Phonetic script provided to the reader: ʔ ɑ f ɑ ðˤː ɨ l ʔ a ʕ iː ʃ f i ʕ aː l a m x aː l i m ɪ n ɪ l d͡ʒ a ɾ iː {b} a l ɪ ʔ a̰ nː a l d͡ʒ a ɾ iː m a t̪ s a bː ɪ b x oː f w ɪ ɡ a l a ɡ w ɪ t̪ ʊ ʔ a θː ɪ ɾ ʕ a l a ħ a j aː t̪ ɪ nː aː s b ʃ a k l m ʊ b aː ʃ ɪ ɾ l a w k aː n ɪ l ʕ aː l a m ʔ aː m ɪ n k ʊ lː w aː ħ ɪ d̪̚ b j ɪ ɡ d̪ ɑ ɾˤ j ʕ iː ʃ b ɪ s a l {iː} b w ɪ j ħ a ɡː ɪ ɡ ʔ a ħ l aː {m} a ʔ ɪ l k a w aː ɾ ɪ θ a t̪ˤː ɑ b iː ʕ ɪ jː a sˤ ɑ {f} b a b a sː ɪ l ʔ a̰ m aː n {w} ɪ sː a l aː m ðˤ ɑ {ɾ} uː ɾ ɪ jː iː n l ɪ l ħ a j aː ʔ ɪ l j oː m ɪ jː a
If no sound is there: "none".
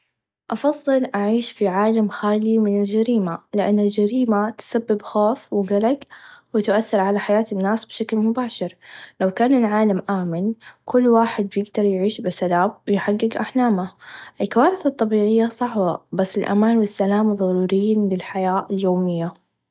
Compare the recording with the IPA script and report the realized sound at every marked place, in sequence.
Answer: m, aː, m, ħ, w, ɾ

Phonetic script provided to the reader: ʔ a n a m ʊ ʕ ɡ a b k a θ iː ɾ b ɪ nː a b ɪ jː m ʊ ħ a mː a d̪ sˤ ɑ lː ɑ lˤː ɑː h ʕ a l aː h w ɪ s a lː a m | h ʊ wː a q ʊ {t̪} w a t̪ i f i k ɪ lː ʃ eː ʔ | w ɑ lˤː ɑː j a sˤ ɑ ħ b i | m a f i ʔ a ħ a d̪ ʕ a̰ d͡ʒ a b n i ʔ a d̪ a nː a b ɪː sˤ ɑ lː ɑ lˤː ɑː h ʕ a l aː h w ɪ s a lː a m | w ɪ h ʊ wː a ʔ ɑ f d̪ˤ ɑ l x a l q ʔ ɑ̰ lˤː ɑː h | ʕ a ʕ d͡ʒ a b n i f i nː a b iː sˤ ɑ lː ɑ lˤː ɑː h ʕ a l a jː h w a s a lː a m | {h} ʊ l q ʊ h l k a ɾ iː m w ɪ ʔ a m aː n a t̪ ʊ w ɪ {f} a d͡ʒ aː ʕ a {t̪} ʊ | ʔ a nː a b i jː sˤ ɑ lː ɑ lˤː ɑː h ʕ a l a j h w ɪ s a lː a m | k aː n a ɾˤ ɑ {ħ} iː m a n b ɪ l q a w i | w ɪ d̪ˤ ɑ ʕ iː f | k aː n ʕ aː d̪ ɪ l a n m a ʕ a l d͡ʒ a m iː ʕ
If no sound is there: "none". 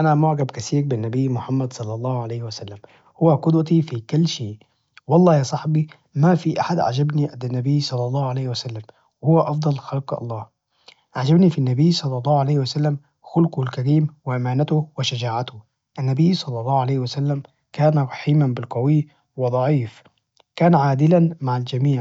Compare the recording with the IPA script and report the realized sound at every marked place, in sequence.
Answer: d̪, x, ʃ, t̪, ħ

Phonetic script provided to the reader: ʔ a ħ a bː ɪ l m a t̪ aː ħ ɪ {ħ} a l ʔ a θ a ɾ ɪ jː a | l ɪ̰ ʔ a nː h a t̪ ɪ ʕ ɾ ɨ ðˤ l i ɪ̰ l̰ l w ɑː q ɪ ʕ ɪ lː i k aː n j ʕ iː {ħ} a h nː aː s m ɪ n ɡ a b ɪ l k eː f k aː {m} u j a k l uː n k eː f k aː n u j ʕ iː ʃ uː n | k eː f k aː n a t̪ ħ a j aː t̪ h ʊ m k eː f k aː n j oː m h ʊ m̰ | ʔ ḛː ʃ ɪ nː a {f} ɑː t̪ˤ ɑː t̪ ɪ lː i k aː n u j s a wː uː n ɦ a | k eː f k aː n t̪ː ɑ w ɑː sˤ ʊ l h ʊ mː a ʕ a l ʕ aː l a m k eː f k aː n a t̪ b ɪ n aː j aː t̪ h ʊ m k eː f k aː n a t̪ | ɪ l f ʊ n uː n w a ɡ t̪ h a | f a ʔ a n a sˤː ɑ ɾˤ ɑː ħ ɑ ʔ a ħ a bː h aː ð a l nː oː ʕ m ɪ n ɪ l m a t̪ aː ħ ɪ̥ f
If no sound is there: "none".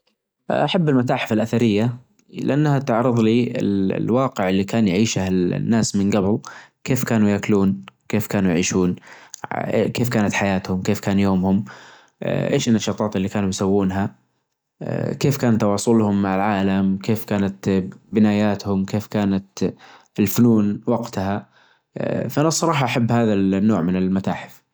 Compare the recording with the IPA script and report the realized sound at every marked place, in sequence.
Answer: f, ʃ, n, ʃ

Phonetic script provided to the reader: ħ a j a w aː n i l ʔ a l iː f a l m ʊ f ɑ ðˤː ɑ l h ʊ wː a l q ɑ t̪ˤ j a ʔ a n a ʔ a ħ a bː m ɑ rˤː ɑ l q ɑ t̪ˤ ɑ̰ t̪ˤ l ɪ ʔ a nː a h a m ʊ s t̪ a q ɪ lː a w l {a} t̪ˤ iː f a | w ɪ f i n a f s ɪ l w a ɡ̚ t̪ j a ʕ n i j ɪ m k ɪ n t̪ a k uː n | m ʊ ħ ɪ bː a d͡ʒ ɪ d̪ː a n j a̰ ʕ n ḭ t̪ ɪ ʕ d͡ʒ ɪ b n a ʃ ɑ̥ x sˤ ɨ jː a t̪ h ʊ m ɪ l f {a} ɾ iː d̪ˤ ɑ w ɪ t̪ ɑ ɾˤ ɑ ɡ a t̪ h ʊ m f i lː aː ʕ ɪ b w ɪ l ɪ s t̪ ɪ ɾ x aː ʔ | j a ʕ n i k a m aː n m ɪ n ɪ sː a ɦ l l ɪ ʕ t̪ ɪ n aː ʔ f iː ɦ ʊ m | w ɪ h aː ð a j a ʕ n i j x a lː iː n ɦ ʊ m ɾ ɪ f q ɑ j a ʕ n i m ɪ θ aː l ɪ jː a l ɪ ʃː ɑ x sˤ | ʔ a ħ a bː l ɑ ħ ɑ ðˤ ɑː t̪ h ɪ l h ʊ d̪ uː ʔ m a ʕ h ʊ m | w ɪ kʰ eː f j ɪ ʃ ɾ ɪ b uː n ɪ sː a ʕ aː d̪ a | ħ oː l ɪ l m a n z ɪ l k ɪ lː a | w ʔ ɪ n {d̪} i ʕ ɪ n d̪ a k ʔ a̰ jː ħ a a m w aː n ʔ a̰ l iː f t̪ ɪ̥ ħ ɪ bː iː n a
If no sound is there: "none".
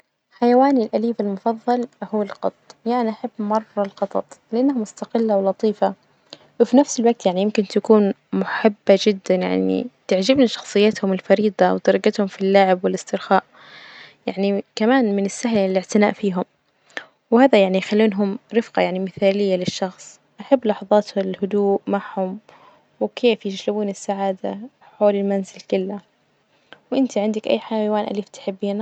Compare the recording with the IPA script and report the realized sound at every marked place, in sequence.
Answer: ɑ, ɑ, t̪

